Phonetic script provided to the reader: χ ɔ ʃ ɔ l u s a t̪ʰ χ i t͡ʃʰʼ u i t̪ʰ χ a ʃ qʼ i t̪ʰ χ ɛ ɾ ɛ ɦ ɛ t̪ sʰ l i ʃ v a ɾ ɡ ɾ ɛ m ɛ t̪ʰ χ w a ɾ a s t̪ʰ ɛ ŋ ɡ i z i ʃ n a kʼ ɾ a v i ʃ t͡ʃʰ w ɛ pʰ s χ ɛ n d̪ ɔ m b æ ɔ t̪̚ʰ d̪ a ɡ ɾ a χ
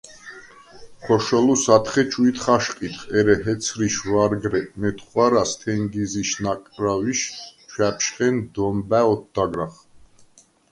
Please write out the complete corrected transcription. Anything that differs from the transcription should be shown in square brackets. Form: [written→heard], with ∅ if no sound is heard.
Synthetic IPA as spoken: χ ɔ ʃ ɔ l u s a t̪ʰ χ [i→ɛ] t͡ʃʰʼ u i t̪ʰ χ a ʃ qʼ i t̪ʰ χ ɛ ɾ ɛ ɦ ɛ t̪ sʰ [l→ɾ] i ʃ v a ɾ ɡ ɾ ɛ m ɛ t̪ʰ χ w a ɾ a s t̪ʰ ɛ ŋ ɡ i z i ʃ n a kʼ ɾ a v i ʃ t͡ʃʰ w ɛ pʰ [s→ʃ] χ ɛ n d̪ ɔ m b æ ɔ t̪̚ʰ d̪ a ɡ ɾ a χ

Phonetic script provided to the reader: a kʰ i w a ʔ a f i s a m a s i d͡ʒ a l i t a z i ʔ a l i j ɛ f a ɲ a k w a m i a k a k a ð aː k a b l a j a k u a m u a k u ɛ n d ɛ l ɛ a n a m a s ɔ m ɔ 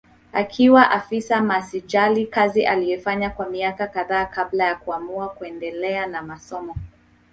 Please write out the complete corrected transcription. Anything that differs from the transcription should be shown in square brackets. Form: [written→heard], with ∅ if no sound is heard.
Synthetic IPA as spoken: a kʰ i w a ʔ a f i s a m a s i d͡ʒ a l i [t→k] a z i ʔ a l i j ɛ f a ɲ a k w a m i a k a k a ð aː k a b l a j a k u a m u a k u ɛ n d ɛ l ɛ a n a m a s ɔ m ɔ

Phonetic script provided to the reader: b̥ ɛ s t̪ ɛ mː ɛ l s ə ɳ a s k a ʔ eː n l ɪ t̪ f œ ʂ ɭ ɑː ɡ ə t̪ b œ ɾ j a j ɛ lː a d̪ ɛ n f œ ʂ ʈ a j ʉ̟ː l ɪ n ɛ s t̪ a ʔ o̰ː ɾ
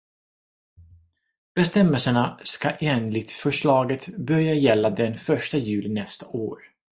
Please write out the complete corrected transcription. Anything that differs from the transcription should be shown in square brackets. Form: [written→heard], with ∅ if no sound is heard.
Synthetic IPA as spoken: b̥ ɛ s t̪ ɛ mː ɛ l s ə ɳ a s k a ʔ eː n l ɪ t̪ f œ ʂ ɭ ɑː ɡ ə t̪ b œ ɾ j a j ɛ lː a d̪ ɛ n f œ ʂ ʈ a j ʉ̟ː l ɪ n ɛ s t̪ a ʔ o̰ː ɾ

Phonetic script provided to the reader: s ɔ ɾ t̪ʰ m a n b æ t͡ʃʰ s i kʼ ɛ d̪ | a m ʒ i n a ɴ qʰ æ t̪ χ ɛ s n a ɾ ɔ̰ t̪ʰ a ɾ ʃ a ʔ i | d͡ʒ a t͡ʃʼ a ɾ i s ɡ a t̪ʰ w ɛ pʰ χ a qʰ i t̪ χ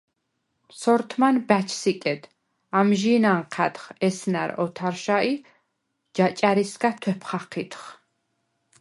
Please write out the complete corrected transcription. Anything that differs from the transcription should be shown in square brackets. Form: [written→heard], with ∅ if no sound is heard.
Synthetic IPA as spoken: s ɔ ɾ t̪ʰ m a n b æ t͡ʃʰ s i kʼ ɛ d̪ | a m ʒ i n a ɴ qʰ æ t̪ χ ɛ s n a ɾ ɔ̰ t̪ʰ a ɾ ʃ a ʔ i | d͡ʒ a t͡ʃʼ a ɾ i s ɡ a t̪ʰ w ɛ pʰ χ a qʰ i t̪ χ

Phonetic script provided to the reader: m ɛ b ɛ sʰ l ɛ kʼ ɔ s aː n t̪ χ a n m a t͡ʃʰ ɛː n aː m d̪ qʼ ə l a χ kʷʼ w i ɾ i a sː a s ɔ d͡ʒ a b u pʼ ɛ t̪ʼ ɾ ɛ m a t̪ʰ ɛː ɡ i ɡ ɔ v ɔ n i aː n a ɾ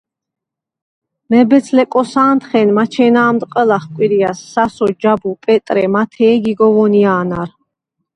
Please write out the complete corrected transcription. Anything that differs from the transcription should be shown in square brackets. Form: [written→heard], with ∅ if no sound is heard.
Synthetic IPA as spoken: m ɛ b ɛ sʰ l ɛ kʼ ɔ s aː n t̪ χ [a→ɛ] n m a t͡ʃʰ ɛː n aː m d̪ qʼ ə l a χ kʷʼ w i ɾ i a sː a s ɔ d͡ʒ a b u pʼ ɛ t̪ʼ ɾ ɛ m a t̪ʰ ɛː ɡ i ɡ ɔ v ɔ n i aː n a ɾ

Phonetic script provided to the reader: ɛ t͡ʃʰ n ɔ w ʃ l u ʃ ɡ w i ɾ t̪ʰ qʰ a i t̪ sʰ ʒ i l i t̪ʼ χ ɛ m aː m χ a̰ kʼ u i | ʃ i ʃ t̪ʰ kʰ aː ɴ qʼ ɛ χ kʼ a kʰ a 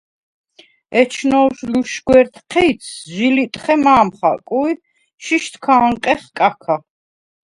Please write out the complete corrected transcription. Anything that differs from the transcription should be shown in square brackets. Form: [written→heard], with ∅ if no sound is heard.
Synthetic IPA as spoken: ɛ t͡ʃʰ n ɔ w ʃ l u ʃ ɡ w [i→ɛ] ɾ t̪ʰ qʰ [a→ɛ] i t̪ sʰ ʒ i l i t̪ʼ χ ɛ m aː m χ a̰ kʼ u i | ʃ i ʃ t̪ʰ kʰ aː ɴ qʼ ɛ χ kʼ a kʰ a

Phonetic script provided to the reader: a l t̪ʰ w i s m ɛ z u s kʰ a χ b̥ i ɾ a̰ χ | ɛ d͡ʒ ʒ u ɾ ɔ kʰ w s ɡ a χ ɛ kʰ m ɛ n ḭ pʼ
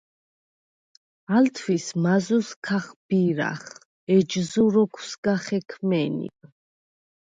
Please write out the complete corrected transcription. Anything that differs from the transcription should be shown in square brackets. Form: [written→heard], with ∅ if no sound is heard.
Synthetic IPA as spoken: a l t̪ʰ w i s m [ɛ→a] z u s kʰ a χ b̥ i ɾ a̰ χ | ɛ d͡ʒ [ʒ→z] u ɾ ɔ kʰ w s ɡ a χ ɛ kʰ m ɛ n ḭ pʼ

